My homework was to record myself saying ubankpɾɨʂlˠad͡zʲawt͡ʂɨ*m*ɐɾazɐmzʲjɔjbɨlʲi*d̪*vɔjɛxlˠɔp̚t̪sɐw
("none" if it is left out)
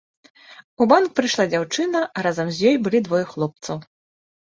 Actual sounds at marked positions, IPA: n, d̪

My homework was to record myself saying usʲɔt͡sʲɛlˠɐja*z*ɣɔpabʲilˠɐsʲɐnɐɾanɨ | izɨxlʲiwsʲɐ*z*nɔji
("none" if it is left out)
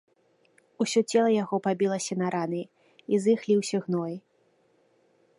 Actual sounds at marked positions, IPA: none, ɣ

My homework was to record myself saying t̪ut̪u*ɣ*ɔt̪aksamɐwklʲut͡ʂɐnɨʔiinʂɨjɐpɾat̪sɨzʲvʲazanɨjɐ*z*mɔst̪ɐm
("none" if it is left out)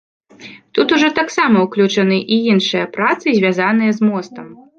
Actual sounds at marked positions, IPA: ʐ, z

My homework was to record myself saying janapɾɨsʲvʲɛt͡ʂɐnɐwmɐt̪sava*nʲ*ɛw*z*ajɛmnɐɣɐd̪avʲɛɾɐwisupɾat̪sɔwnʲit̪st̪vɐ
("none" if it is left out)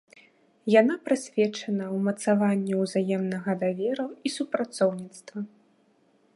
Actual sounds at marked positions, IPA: nʲː, z

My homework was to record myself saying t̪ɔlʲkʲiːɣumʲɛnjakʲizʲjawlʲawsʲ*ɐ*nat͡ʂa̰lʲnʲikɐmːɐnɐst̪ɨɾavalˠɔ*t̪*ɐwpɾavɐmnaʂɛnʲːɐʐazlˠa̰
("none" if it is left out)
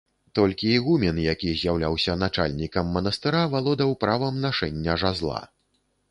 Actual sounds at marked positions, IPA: ɐ, d̪

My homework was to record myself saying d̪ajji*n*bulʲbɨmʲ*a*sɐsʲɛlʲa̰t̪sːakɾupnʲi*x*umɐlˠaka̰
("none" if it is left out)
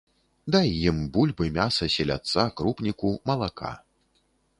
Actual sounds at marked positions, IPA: m, a, k

